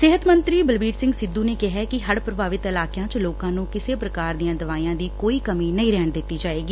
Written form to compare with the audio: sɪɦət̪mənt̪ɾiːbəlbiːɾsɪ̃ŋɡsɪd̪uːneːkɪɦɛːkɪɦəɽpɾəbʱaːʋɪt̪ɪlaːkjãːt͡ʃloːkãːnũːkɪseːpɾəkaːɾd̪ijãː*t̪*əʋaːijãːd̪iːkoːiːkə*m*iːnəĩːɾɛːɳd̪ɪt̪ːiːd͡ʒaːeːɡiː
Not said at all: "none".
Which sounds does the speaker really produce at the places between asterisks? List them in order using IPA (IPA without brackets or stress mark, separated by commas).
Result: d̪, m